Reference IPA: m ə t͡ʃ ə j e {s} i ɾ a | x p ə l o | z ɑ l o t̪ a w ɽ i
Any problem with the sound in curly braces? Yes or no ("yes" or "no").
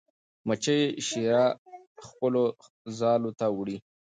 yes